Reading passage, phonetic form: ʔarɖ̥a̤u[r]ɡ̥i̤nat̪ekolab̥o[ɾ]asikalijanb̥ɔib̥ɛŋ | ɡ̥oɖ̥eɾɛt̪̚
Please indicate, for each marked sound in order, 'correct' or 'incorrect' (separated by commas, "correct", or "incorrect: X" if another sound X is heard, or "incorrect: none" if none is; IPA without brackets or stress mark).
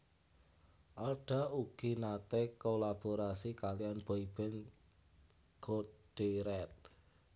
incorrect: none, correct